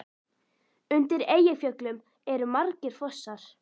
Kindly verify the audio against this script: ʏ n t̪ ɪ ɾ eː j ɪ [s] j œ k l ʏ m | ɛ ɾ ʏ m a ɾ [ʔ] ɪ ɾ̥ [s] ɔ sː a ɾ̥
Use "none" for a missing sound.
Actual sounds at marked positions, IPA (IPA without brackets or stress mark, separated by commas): f, c, f